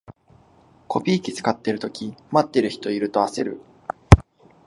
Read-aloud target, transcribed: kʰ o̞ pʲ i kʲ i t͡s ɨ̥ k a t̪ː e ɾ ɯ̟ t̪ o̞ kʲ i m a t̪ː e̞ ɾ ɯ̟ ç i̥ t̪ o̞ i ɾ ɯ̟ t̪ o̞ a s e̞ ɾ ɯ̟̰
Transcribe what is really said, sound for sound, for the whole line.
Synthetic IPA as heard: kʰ o̞ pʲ iː kʲ i t͡s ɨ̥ k a t̪ː e ɾ ɯ̟ t̪ o̞ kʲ i m a t̪ː e̞ ɾ ɯ̟ ç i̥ t̪ o̞ i ɾ ɯ̟ t̪ o̞ a s e̞ ɾ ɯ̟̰